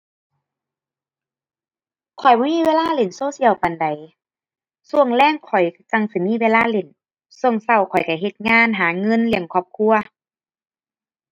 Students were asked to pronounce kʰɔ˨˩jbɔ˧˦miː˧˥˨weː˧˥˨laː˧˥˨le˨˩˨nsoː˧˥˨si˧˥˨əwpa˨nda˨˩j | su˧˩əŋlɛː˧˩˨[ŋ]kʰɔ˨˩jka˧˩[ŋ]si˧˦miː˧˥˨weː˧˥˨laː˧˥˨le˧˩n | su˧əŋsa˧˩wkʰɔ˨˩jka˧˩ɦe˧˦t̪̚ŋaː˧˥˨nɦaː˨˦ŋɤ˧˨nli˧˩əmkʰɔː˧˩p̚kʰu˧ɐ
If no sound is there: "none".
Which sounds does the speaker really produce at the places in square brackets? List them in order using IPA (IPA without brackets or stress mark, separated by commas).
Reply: ŋ, ŋ